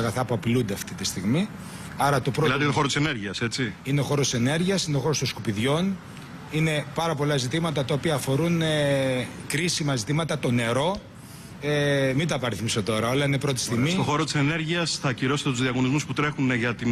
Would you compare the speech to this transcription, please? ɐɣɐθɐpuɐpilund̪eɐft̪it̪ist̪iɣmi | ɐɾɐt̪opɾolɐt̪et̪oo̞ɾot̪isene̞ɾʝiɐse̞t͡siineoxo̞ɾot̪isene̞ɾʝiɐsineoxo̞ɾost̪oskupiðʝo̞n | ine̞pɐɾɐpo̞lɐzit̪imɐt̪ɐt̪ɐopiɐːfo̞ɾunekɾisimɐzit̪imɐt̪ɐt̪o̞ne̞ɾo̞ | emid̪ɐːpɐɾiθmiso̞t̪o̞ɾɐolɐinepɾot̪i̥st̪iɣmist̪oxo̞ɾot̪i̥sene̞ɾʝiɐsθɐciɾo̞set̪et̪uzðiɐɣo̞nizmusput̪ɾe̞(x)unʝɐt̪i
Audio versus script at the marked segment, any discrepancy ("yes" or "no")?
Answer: no